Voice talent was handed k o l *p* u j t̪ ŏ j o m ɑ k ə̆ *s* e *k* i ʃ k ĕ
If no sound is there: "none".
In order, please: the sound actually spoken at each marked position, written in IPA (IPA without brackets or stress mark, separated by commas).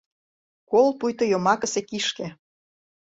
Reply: p, s, k